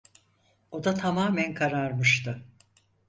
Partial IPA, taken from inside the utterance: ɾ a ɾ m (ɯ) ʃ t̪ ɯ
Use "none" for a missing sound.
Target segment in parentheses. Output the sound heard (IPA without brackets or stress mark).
ɯ